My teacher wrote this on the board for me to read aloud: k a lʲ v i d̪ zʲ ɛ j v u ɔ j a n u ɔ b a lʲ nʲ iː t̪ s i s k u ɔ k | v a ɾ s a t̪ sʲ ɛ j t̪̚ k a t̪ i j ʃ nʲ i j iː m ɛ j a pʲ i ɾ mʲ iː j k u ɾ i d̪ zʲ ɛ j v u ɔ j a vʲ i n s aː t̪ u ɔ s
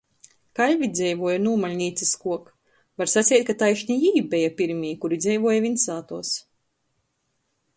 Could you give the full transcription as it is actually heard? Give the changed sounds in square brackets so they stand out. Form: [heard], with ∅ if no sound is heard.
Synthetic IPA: k a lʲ v i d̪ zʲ ɛ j v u ɔ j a n u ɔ [m] a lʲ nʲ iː t̪ s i s k u ɔ k | v a ɾ s a t̪ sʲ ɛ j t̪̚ k a t̪ [a] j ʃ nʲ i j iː [b] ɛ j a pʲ i ɾ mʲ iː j k u ɾ i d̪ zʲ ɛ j v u ɔ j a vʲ i n s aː t̪ u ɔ s